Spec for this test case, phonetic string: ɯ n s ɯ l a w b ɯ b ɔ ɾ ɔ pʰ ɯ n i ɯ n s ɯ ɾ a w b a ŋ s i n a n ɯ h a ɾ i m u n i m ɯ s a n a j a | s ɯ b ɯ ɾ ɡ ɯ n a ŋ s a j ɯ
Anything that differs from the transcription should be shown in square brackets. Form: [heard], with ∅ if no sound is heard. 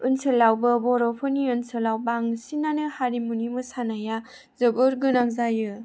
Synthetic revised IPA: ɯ n s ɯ l a w b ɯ b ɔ ɾ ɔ pʰ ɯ n i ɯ n s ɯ [l] a w b a ŋ s i n a n ɯ h a ɾ i m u n i m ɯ s a n a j a | [z] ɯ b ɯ ɾ ɡ ɯ n a ŋ [z] a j ɯ